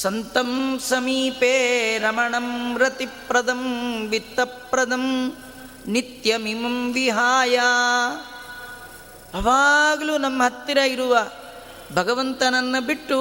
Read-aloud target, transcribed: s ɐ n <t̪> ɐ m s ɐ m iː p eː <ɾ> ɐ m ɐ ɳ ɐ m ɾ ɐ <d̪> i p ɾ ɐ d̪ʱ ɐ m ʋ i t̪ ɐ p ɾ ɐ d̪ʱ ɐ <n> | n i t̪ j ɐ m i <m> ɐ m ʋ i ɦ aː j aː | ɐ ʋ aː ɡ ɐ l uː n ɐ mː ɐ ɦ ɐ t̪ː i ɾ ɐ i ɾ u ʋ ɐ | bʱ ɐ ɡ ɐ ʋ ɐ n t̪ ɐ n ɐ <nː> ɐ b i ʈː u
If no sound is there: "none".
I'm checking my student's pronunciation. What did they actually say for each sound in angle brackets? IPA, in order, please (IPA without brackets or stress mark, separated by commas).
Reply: t̪, ɾ, t̪, m, m, nː